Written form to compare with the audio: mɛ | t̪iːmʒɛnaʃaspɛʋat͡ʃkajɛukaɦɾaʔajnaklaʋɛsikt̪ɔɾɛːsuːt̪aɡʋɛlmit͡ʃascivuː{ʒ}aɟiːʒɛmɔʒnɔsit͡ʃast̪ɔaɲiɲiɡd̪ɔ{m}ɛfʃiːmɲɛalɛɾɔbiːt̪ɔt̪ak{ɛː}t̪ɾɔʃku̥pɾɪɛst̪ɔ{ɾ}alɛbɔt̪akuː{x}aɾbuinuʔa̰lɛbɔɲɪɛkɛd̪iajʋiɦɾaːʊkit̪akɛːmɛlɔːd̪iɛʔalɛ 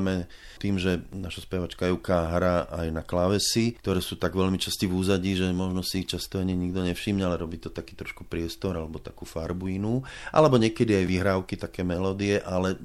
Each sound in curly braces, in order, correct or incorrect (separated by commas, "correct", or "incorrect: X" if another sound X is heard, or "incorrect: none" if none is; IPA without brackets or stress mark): incorrect: z, incorrect: ɲ, incorrect: iː, correct, incorrect: f